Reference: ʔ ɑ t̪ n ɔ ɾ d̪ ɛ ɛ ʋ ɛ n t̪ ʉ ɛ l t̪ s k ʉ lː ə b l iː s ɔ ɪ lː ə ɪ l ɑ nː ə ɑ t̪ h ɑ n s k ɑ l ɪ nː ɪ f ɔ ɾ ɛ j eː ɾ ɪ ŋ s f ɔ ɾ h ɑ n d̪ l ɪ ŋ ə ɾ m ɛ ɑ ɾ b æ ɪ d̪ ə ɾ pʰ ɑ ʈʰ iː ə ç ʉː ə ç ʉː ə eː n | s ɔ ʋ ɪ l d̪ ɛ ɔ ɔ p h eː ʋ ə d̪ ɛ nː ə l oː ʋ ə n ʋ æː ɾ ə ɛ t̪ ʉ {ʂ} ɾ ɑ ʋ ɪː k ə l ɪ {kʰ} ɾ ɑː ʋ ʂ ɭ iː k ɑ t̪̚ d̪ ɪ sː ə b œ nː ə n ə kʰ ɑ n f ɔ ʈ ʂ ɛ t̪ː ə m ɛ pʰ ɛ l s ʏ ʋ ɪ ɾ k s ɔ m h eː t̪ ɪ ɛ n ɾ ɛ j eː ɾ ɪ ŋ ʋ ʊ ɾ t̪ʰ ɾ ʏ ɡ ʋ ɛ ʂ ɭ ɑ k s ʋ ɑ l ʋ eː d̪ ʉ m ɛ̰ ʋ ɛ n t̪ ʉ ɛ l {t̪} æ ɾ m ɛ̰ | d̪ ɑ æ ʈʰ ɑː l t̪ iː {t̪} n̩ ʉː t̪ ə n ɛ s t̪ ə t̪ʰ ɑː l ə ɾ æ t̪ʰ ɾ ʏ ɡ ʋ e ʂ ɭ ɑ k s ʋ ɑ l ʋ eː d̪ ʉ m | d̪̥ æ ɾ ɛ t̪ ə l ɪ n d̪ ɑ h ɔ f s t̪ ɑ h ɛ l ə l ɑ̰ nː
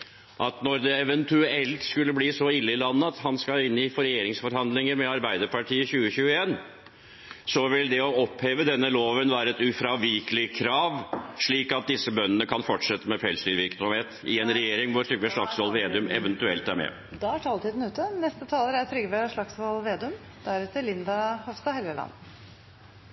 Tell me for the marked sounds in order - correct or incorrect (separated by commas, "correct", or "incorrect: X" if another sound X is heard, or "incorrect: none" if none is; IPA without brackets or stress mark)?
incorrect: f, correct, correct, incorrect: d̪